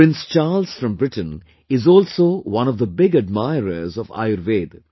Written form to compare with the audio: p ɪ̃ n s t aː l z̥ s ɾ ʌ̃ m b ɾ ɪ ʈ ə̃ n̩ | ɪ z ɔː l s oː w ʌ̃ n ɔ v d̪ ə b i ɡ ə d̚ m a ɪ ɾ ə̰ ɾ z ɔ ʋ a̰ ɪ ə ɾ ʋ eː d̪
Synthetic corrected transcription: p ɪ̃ n s t͡ʃ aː l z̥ f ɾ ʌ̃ m b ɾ ɪ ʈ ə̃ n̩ | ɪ z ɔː l s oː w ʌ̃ n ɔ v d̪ ə b ɪ ɡ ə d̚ m a ɪ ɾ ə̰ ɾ z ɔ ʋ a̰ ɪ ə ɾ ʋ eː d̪